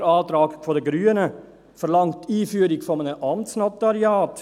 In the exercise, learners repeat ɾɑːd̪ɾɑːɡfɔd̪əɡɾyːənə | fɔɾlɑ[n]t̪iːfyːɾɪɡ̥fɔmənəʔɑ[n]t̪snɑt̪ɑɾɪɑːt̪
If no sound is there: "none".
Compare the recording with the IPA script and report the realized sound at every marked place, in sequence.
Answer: ŋ, m

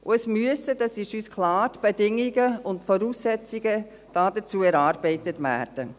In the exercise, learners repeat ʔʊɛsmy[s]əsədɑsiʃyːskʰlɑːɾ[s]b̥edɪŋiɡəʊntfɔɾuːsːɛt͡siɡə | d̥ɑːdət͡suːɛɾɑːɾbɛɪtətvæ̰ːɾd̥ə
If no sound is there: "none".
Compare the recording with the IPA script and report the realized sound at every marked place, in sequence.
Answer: none, t

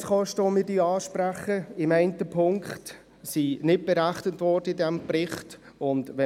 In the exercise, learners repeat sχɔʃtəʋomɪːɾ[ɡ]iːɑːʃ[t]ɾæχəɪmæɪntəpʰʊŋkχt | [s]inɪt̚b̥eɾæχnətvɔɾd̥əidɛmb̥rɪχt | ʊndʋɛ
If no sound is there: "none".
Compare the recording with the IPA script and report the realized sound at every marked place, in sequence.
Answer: d, p, s

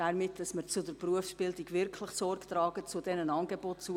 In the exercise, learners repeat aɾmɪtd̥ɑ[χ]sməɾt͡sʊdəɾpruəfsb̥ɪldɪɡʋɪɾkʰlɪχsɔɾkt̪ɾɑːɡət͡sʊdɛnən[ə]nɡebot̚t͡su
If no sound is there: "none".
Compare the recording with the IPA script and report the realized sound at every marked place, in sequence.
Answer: none, ɑ

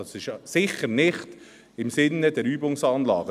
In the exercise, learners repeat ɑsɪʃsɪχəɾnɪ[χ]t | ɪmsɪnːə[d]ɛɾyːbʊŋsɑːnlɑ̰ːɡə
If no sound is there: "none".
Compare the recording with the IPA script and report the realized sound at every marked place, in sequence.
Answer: χ, d

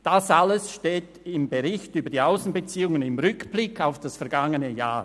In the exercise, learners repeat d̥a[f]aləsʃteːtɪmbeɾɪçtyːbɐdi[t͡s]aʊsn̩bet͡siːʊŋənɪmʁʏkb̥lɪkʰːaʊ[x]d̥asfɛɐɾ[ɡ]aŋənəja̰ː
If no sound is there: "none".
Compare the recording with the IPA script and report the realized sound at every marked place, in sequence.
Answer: s, none, f, ɡ

